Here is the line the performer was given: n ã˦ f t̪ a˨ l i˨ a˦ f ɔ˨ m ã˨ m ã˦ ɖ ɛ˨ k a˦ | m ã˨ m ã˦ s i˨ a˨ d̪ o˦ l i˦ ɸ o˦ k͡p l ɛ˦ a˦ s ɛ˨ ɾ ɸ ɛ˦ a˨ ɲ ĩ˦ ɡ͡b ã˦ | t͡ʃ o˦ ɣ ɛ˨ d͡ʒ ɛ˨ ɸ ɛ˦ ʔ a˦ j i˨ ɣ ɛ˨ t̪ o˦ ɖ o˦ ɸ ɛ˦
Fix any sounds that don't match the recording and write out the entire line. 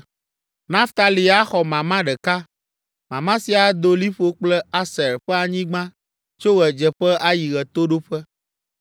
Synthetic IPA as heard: n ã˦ f t̪ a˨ l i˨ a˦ x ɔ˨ m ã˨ m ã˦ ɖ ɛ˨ k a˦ | m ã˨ m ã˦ s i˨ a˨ d̪ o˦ l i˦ ɸ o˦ k͡p l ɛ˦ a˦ s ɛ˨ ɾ ɸ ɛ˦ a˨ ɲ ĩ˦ ɡ͡b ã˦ | t͡ʃ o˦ ɣ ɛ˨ d͡ʒ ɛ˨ ɸ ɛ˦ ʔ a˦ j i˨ ɣ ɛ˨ t̪ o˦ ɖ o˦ ɸ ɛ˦